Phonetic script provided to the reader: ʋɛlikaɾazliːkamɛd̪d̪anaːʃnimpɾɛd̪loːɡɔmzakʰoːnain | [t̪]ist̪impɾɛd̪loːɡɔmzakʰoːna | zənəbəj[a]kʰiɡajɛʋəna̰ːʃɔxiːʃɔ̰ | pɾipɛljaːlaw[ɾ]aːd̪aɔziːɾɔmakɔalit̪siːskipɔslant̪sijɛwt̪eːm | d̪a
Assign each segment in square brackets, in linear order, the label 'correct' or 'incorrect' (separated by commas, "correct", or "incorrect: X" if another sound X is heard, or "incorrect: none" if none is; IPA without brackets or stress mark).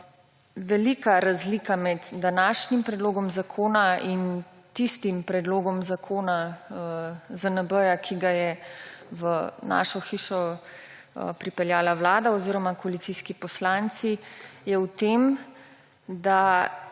correct, correct, incorrect: l